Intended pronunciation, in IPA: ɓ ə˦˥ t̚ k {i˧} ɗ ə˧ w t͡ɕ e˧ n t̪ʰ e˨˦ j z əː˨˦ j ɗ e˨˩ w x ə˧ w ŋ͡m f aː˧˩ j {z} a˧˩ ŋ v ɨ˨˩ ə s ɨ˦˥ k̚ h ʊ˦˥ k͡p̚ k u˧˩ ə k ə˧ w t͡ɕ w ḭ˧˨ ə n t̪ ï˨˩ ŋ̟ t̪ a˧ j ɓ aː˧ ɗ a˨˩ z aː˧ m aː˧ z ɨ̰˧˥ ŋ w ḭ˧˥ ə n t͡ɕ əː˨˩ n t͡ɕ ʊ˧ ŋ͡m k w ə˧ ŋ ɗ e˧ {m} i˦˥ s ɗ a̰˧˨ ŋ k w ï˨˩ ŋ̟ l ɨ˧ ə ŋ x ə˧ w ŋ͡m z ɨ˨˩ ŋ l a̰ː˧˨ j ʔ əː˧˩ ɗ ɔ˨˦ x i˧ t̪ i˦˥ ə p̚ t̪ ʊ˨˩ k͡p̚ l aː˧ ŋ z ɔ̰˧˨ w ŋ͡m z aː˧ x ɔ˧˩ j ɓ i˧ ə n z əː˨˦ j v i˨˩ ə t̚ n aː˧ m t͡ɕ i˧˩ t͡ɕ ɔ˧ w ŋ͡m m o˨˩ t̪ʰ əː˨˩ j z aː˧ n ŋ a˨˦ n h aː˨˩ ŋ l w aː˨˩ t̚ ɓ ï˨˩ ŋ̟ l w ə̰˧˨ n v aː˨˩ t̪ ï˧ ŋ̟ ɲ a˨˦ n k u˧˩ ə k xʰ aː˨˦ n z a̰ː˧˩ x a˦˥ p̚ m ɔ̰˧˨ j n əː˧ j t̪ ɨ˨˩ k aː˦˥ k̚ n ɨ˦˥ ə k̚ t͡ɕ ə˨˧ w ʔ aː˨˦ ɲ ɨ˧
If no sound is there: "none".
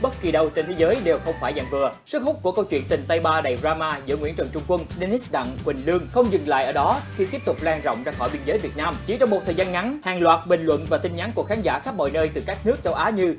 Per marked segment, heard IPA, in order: i˨˩, z, n

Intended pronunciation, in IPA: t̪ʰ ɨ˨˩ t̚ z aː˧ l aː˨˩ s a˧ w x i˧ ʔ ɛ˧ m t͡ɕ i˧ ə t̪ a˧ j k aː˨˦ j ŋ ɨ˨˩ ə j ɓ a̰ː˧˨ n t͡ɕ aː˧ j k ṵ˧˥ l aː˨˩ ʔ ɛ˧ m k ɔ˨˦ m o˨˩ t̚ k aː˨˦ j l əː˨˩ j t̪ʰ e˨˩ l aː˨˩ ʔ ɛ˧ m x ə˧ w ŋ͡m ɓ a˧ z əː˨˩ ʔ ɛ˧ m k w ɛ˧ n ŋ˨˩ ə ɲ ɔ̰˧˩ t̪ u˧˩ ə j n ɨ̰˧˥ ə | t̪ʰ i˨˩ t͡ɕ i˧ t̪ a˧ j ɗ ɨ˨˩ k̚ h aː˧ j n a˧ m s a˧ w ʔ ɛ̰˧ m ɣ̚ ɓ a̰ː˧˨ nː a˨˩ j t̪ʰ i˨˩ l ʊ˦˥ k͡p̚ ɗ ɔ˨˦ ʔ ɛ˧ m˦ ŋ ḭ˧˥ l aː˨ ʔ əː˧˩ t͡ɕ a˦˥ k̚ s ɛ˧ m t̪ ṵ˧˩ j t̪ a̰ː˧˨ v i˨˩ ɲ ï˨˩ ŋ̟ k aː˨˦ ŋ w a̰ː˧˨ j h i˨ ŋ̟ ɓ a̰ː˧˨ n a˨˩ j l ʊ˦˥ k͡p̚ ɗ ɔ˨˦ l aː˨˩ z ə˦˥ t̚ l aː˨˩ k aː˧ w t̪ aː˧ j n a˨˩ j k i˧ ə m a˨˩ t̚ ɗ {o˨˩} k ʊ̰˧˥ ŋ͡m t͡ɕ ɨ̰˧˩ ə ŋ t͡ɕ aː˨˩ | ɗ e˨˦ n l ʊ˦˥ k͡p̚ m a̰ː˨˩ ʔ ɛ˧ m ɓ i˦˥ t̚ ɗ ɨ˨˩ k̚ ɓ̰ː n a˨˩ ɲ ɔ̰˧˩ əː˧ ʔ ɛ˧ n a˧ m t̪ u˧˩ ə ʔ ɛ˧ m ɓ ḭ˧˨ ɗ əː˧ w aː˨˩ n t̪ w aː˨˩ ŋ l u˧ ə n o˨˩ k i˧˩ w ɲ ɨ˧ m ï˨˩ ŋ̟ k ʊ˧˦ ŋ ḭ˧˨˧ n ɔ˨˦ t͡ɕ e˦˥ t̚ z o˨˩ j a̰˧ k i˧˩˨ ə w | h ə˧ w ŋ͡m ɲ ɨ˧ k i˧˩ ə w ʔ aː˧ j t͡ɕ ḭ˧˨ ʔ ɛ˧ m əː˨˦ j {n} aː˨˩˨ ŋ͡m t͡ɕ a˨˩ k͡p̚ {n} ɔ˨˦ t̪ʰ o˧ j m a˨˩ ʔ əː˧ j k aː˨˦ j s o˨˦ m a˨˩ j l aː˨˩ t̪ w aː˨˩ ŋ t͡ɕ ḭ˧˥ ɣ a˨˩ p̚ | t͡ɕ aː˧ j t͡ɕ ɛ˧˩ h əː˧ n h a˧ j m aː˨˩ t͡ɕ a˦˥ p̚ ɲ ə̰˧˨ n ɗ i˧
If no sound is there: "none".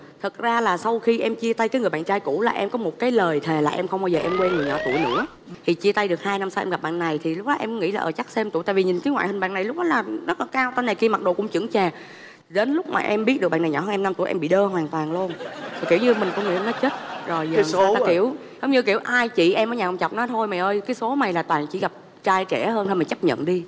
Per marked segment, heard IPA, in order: o˨˩, ɲ, n

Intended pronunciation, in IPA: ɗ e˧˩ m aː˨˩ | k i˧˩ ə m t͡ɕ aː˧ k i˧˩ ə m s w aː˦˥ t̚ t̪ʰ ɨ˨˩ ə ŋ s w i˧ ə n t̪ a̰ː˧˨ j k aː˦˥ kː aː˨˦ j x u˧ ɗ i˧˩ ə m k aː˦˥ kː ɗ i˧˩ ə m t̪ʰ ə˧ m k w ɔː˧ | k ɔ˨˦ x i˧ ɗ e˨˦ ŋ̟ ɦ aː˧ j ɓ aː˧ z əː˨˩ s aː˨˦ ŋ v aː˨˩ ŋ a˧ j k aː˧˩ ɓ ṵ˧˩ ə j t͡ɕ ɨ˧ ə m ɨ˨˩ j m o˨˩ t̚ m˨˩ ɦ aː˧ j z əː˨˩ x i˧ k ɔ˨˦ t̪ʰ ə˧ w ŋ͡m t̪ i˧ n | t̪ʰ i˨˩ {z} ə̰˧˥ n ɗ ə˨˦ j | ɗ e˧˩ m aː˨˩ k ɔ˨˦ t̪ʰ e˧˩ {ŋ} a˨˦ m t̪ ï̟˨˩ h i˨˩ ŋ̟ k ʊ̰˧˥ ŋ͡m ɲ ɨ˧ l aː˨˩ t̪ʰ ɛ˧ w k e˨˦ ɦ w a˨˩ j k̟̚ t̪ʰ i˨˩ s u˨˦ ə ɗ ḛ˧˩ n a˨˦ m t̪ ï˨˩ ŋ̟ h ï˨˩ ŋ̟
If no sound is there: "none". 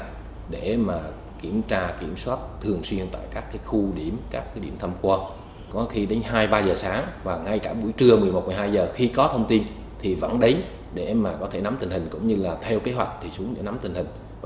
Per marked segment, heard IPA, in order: v, n

